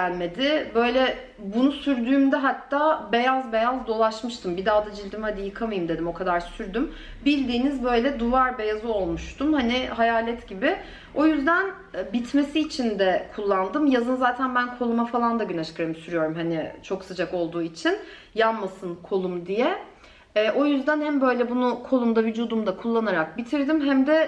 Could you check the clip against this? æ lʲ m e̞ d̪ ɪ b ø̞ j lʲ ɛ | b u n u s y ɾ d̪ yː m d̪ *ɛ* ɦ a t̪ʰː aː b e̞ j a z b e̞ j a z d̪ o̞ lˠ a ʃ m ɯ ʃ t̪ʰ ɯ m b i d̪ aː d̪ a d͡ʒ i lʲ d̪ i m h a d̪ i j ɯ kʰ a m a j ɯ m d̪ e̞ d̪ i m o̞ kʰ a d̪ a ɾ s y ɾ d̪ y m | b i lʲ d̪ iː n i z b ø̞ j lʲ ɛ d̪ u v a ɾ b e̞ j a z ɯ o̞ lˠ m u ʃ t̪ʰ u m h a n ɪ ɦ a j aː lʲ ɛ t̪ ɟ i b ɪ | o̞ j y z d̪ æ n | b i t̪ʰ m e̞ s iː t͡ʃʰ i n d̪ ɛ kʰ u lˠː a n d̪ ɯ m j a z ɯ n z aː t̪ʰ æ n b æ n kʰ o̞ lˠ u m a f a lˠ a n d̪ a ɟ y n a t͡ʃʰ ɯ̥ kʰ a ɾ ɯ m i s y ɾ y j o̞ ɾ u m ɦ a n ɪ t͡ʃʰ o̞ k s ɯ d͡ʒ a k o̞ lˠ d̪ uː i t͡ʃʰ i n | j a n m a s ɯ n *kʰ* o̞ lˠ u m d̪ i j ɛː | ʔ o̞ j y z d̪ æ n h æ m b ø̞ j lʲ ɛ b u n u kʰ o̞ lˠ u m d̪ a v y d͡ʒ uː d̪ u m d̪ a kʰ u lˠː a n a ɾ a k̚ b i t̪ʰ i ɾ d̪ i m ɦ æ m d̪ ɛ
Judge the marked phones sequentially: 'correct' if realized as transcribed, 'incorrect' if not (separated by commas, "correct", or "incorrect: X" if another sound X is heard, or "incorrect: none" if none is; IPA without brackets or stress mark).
correct, correct